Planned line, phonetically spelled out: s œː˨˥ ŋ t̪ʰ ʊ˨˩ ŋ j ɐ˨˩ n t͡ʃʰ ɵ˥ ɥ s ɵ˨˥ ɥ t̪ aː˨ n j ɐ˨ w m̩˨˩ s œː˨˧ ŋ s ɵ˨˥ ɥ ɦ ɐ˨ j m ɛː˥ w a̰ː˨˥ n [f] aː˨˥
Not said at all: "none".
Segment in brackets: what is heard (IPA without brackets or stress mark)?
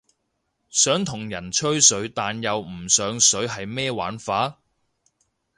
f